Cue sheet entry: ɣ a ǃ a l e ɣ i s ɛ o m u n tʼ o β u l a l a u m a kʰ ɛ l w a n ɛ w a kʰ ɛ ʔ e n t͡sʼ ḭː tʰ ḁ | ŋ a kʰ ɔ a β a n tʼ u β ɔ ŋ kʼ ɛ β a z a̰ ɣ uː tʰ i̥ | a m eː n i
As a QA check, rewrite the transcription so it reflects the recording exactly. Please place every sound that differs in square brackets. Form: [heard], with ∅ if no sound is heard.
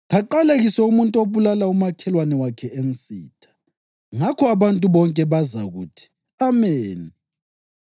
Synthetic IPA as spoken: ɣ a ǃ a l e ɣ i s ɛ [u] m u n tʼ o β u l a l a u m a kʰ ɛ l w a n ɛ w a kʰ ɛ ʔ e n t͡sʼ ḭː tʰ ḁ | ŋ a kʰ ɔ a β a n tʼ u β ɔ ŋ kʼ ɛ β a z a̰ ɣ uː tʰ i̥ | a m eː n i